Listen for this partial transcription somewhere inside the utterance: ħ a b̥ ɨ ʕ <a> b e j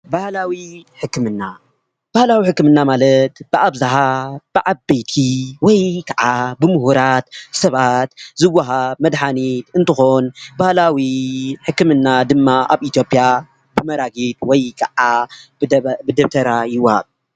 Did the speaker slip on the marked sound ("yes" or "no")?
no